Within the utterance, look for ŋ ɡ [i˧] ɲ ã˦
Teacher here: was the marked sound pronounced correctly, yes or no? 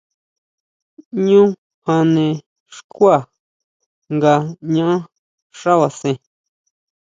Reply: no